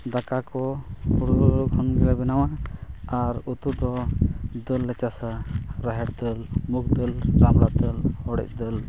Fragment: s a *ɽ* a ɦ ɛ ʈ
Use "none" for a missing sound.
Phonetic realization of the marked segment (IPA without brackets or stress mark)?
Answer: ɾ